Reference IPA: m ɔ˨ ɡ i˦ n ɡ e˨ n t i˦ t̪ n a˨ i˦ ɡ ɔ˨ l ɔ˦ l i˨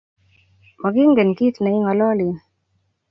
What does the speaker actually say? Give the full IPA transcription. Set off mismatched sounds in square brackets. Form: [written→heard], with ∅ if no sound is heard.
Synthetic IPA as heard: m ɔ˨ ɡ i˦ [n→ŋ] ɡ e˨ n [t→k] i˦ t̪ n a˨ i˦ [ɡ→ŋ] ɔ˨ l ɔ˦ l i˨

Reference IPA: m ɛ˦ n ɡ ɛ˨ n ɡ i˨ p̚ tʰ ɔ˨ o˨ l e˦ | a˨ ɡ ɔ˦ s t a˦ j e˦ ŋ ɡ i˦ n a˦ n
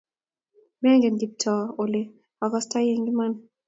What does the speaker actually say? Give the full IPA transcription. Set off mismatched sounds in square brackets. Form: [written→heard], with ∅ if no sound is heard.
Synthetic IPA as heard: m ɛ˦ [n→ŋ] ɡ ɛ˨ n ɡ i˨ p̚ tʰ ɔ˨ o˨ l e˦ | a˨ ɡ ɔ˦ s t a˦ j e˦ ŋ ɡ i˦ [n→m] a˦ n

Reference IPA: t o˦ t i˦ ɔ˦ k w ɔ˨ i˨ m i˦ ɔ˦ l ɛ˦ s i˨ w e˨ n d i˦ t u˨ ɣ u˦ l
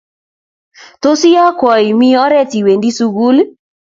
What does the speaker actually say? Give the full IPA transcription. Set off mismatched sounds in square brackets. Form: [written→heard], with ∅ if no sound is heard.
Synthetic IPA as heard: t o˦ [t→s] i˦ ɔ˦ k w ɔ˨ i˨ m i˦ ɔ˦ [l→ɾ] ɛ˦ [s→t] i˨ w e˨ n d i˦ [t→s] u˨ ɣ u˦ l

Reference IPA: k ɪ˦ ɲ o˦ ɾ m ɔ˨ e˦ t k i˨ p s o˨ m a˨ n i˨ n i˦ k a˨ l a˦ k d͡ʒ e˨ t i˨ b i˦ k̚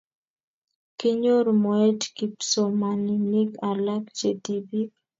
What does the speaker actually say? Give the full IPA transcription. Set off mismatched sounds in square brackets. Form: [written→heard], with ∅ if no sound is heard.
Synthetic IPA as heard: k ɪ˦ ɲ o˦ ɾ m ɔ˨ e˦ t k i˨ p s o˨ m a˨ n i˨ n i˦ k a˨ l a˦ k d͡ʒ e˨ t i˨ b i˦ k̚

